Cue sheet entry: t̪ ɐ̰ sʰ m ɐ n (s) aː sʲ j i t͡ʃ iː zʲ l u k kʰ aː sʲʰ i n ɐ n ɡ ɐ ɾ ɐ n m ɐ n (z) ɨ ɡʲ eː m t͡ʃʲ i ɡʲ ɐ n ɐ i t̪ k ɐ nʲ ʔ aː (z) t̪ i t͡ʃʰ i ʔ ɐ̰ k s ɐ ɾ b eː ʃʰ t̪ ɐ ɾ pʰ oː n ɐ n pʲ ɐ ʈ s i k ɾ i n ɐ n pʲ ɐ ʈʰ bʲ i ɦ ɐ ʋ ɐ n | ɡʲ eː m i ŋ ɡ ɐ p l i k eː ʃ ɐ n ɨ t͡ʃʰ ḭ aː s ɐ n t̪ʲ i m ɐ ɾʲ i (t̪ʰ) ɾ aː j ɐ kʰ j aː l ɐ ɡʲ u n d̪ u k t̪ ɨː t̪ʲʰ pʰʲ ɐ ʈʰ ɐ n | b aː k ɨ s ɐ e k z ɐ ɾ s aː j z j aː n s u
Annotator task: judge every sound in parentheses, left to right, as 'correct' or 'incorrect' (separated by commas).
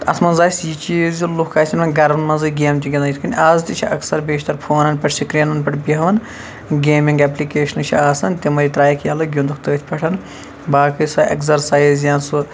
incorrect, correct, correct, incorrect